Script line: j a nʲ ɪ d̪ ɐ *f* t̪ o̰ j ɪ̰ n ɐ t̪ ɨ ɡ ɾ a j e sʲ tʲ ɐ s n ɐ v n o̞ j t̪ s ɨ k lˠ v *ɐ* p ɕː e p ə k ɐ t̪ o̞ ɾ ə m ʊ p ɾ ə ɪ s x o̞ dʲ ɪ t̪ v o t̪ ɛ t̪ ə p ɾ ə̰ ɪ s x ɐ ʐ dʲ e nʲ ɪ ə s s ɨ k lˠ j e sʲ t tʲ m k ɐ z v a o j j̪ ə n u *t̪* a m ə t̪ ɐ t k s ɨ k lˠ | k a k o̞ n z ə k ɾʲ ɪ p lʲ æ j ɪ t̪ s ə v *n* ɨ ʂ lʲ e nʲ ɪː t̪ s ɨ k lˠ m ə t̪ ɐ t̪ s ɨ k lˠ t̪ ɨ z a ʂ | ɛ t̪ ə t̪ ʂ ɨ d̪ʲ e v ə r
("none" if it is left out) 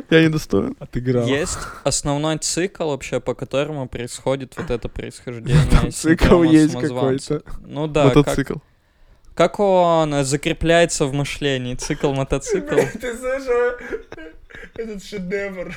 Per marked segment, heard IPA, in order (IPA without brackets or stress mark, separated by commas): s, ɐ, d̪, m